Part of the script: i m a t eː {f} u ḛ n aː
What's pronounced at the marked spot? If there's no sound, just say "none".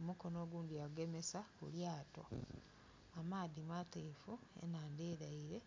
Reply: f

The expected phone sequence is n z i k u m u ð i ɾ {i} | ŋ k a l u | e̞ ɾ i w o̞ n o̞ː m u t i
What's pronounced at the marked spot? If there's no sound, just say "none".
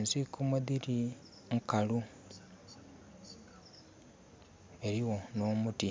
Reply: i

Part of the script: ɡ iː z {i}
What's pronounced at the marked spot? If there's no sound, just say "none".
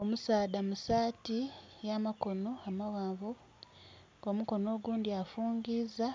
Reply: a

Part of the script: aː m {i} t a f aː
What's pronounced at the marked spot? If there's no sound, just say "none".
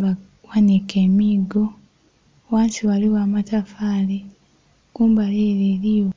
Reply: a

